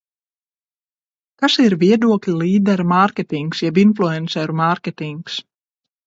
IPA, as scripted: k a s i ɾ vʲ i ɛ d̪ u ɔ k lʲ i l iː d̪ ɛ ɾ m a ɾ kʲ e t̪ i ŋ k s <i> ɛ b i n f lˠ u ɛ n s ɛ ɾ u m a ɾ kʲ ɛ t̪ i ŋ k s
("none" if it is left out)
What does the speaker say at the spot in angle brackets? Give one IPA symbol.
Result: j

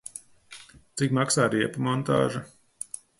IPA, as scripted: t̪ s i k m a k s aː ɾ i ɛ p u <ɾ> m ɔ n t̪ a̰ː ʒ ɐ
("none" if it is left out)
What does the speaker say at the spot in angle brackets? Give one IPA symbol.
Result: none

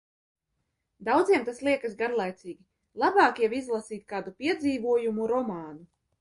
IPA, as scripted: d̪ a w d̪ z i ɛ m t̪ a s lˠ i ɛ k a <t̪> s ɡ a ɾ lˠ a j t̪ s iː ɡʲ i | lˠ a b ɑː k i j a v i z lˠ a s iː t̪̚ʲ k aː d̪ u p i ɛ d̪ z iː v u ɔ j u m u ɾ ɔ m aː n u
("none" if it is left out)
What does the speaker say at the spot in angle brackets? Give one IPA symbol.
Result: none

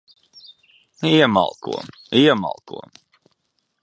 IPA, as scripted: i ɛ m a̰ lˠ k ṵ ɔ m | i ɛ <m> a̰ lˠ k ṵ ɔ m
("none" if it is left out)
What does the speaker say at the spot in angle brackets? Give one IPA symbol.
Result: m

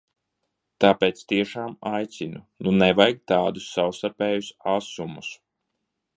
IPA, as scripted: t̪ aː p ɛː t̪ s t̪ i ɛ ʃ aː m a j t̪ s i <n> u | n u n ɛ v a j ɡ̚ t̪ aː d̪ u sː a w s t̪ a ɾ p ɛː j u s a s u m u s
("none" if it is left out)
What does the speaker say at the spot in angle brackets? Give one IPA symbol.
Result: n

